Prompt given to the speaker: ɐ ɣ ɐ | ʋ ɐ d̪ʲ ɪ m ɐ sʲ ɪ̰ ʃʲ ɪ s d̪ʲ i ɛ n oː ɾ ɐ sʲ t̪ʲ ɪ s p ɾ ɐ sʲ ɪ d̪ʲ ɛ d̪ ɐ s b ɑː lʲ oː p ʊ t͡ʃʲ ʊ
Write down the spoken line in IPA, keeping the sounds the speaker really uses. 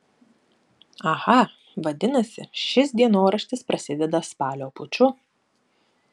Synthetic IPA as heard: ɐ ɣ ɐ | ʋ ɐ d̪ʲ ɪ n ɐ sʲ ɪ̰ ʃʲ ɪ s d̪ʲ i ɛ n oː ɾ ɐ ʃʲ t̪ʲ ɪ s p ɾ ɐ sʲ ɪ d̪ʲ ɛ d̪ ɐ s p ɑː lʲ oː p ʊ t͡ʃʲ ʊ